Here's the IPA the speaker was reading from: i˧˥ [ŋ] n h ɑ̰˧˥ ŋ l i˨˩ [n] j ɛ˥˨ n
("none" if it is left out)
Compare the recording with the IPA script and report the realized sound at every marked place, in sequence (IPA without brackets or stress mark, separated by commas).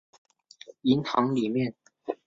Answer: none, m